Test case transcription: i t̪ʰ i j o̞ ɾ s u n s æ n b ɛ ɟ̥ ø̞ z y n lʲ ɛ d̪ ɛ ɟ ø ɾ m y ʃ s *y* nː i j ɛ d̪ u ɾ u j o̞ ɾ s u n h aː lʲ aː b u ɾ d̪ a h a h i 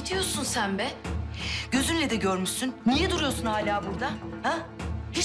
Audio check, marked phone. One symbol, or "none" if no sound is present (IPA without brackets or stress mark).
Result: y